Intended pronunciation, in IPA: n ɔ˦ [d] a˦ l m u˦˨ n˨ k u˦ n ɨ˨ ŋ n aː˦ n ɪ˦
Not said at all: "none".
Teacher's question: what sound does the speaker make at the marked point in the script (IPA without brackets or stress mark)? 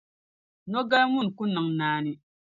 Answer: ɡ